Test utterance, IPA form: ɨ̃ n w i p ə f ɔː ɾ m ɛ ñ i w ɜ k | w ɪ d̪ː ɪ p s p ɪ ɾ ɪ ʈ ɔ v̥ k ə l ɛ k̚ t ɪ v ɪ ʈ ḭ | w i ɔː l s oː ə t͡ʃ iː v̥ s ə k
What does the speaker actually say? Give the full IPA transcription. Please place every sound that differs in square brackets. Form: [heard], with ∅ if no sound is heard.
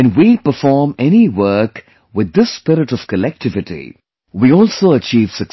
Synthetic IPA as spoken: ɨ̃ n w i p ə f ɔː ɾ m ɛ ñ i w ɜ k | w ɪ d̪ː ɪ [∅] s p ɪ ɾ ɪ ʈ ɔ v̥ k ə l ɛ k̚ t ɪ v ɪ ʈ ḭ | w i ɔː l s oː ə t͡ʃ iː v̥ s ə k